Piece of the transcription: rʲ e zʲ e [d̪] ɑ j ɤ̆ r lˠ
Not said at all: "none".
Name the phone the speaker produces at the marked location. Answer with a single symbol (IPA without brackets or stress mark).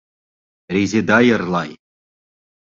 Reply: d̪